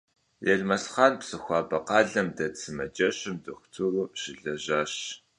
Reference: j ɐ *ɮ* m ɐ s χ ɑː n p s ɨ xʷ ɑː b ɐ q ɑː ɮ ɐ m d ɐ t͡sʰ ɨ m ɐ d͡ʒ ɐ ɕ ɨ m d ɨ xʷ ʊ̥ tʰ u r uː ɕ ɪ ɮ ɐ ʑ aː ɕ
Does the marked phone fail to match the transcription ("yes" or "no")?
no